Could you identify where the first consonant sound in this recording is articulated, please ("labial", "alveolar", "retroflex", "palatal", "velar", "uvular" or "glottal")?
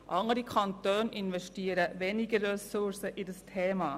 glottal